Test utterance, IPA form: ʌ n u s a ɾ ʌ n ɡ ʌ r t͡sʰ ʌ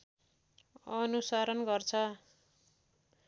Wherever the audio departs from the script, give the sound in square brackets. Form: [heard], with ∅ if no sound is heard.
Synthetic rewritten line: ʌ n u s a ɾ ʌ n ɡ ʌ r t͡sʰ ʌ